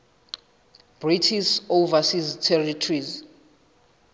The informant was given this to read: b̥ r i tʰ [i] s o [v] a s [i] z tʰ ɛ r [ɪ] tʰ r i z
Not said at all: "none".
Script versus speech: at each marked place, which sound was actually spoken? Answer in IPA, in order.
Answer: i, v, i, i

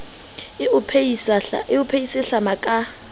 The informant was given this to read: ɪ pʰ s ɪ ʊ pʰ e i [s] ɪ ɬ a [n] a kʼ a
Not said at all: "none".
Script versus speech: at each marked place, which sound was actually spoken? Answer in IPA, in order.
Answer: s, m

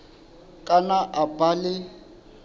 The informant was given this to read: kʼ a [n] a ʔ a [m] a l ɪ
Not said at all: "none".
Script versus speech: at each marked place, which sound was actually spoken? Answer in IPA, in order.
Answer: n, b

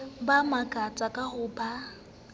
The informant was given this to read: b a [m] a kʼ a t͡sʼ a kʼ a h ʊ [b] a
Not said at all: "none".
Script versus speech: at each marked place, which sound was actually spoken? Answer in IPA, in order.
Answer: m, b

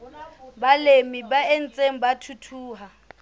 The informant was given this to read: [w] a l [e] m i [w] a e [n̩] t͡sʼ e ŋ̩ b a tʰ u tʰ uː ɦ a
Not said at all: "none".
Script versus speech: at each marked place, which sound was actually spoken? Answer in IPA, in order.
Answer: b, e, b, n̩

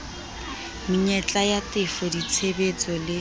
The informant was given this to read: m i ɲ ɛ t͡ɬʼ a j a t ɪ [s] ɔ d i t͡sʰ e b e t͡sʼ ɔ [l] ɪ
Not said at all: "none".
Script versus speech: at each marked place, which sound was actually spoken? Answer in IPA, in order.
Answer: f, l

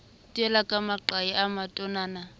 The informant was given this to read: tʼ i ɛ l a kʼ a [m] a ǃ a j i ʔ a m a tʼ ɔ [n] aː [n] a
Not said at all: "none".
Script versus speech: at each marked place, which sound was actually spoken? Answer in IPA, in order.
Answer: m, n, n

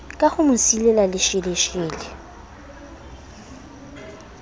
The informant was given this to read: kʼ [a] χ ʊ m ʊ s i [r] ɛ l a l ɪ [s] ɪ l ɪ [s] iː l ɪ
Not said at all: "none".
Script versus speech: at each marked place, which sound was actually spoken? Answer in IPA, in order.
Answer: a, l, ʃ, ʃ

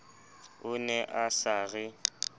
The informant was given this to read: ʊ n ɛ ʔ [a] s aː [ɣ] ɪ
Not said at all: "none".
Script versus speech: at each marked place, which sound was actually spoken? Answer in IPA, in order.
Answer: a, ɣ

